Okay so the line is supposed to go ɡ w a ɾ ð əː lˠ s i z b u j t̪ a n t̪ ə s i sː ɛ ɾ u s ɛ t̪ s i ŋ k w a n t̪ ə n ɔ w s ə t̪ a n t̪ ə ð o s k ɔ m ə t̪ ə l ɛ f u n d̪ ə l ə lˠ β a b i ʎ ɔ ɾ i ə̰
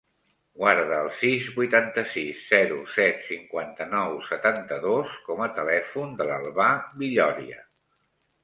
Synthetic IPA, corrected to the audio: ɡ w a ɾ ð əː lˠ s i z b u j t̪ a n t̪ ə s i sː ɛ ɾ u s ɛ t̪ s i ŋ k w a n t̪ ə n ɔ w s ə t̪ a n t̪ ə ð o s k ɔ m ə t̪ ə l ɛ f u n d̪ ə l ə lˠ β a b i ʎ ɔ ɾ i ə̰